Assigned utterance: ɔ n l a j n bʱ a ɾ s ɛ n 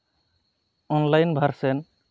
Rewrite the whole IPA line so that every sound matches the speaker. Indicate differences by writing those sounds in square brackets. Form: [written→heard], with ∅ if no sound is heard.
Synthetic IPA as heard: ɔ n l a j n bʱ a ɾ s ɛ n